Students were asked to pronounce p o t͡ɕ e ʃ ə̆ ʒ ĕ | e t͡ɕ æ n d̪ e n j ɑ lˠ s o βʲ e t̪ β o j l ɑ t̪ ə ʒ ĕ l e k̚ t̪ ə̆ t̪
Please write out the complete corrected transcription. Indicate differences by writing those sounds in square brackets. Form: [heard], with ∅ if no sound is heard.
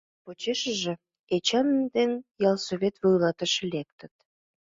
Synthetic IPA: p o t͡ɕ e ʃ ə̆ ʒ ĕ | e t͡ɕ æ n d̪ e n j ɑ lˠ s o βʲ e t̪ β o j l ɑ t̪ ə [ʃ] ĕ l e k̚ t̪ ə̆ t̪